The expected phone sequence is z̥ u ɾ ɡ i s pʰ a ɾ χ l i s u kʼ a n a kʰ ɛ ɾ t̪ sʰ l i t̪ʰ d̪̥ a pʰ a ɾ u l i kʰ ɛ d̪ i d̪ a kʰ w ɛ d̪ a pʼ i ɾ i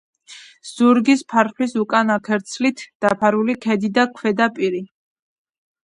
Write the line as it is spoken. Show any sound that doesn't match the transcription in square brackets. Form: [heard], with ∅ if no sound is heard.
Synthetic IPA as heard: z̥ u ɾ ɡ i s pʰ a ɾ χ l i s u kʼ a n a kʰ ɛ ɾ t̪ sʰ l i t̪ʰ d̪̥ a pʰ a ɾ u l i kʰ ɛ d̪ i d̪ a kʰ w ɛ d̪ a pʼ i ɾ i

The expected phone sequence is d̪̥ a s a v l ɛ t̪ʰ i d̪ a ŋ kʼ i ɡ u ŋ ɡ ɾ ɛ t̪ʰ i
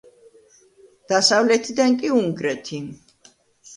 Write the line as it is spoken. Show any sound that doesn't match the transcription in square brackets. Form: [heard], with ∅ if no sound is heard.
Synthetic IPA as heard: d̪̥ a s a v l ɛ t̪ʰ i d̪ a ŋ kʼ i [∅] u ŋ ɡ ɾ ɛ t̪ʰ i

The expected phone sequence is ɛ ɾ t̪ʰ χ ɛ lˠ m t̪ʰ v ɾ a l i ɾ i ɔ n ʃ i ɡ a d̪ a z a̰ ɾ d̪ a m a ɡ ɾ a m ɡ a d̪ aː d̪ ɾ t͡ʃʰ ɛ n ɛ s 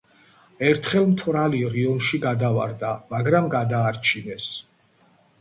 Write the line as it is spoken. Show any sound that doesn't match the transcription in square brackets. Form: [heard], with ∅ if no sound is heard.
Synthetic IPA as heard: ɛ ɾ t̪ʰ χ ɛ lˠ m t̪ʰ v ɾ a l i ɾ i ɔ n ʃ i ɡ a d̪ a [v] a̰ ɾ d̪ a m a ɡ ɾ a m ɡ a d̪ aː [∅] ɾ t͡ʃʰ [i] n ɛ s

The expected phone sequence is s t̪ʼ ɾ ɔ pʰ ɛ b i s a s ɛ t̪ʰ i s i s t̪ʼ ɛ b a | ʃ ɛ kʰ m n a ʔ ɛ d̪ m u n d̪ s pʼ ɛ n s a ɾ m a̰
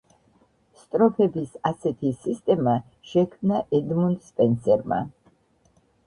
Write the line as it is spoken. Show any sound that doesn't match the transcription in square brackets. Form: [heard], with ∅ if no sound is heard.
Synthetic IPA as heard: s t̪ʼ ɾ ɔ pʰ ɛ b i s a s ɛ t̪ʰ i s i s t̪ʼ ɛ [m] a | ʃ ɛ kʰ m n a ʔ ɛ d̪ m u n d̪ s pʼ ɛ n s [ɛ] ɾ m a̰

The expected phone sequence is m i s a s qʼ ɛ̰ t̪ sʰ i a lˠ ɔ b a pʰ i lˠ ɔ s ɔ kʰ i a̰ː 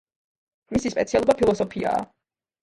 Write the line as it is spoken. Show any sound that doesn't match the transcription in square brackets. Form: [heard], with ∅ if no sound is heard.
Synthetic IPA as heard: m i s [i] s [pʼ] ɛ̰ t̪ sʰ i a lˠ ɔ b a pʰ i lˠ ɔ s ɔ [pʰ] i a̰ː

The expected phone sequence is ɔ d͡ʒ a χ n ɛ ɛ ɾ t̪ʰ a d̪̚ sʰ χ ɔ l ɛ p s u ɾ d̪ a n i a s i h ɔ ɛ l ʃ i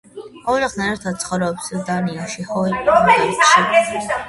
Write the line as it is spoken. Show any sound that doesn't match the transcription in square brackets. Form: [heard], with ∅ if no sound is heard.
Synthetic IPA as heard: ɔ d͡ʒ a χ n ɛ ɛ ɾ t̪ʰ a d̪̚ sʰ χ ɔ [ɾ] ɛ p s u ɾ d̪ a n i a [ʃ] i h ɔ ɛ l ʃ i

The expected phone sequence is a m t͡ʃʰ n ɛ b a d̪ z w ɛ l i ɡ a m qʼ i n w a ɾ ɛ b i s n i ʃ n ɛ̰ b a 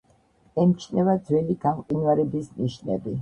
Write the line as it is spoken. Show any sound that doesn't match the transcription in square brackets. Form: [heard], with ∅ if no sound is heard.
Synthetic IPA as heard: [ɛ] m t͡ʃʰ n ɛ [v] a d̪ z w ɛ l i ɡ a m qʼ i n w a ɾ ɛ b i s n i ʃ n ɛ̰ b [i]

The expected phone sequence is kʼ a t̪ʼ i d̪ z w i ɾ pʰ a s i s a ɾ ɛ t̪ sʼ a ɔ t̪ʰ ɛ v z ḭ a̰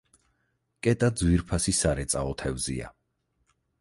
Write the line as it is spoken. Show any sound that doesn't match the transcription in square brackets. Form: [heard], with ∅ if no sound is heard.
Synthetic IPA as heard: kʼ [ɛ] t̪ʼ [a] d̪ z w i ɾ pʰ a s i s a ɾ ɛ t̪ sʼ a ɔ t̪ʰ ɛ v z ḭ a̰

